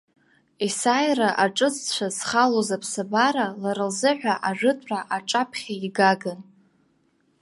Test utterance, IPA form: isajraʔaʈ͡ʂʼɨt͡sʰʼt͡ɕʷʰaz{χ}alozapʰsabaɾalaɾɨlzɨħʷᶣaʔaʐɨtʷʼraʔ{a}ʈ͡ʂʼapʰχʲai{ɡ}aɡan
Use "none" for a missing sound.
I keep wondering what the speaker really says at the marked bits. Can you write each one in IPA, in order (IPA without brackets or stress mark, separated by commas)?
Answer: χ, a, ɡ